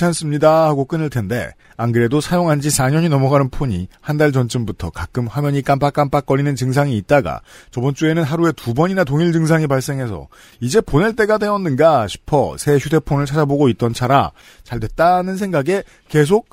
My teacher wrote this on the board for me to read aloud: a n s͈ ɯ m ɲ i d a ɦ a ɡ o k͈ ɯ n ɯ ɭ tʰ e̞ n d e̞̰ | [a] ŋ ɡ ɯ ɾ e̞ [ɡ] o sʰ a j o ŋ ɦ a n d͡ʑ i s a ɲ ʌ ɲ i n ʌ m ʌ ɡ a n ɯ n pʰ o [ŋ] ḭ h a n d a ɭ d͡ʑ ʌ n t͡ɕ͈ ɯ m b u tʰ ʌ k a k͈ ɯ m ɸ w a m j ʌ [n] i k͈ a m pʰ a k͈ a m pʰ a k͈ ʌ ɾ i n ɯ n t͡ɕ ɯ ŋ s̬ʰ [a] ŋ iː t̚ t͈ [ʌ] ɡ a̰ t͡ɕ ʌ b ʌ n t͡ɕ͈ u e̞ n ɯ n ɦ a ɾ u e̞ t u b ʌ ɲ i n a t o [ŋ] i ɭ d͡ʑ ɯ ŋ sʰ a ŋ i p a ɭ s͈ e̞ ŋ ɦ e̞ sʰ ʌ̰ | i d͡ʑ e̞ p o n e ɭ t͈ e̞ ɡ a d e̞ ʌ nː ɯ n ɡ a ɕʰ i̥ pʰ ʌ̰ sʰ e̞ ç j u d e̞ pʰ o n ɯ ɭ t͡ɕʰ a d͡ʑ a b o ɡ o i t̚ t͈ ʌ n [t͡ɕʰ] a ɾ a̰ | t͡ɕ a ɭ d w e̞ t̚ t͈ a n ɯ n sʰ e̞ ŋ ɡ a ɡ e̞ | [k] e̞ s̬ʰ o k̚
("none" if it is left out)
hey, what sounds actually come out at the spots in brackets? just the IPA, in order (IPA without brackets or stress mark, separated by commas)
a, d, ɲ, ɲ, a, a, ŋ, t͡ɕʰ, k